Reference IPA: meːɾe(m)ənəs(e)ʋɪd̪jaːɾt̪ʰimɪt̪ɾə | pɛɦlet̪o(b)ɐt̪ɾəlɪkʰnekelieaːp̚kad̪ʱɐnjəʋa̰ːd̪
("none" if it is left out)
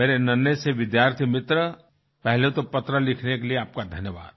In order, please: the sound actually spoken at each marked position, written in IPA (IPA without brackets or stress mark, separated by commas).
n, e, p